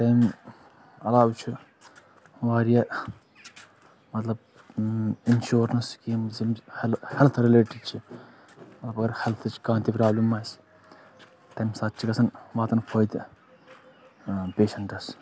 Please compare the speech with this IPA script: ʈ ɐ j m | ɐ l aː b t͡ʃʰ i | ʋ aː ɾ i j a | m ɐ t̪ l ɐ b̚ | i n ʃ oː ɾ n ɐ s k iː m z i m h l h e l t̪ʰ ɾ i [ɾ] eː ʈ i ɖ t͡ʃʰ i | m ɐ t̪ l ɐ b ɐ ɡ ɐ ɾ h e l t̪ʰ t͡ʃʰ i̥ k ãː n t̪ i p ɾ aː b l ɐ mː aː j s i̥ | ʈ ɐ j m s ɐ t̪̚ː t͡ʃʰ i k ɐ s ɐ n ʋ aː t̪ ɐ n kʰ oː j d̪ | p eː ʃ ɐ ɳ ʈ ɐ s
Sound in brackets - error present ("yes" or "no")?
yes